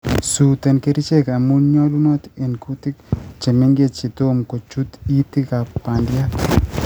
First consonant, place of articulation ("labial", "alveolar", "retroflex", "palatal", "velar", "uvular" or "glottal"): alveolar